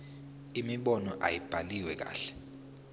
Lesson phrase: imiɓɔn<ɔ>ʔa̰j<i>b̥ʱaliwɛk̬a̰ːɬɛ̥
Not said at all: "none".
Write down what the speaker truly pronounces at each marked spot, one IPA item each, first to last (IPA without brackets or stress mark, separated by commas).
ɔ, i